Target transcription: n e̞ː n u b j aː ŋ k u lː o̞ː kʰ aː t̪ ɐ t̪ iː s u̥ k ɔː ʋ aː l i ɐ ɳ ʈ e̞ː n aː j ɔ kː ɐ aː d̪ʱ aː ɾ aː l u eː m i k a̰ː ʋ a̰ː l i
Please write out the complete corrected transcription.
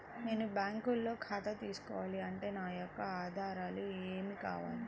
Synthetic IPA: n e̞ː n u b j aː ŋ k u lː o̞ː kʰ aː t̪ ɐ t̪ iː s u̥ k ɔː ʋ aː l i ɐ ɳ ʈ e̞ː n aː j ɔ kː ɐ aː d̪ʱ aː ɾ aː l u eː m i k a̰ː ʋ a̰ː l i